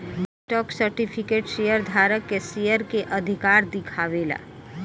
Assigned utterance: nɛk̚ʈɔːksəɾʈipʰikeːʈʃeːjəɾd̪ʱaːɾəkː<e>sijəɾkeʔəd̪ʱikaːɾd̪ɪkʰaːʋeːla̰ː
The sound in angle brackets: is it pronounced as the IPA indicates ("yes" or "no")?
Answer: yes